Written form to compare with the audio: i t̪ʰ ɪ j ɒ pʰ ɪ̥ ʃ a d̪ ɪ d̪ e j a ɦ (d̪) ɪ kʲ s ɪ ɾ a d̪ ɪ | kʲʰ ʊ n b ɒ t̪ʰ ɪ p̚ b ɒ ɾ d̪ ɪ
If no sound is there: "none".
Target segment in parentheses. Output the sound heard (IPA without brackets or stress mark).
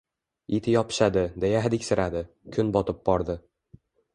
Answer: d̪